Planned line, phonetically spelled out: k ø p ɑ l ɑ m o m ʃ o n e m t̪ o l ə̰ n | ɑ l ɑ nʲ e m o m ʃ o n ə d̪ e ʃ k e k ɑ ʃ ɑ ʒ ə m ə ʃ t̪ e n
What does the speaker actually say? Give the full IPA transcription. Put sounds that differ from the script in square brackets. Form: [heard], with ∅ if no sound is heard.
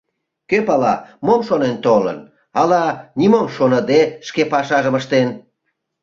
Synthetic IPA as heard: k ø p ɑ l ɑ m o m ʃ o n e [n] t̪ o l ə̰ n | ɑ l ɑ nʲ [i] m o m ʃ o n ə d̪ e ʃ k e [p] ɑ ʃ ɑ ʒ ə m ə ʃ t̪ e n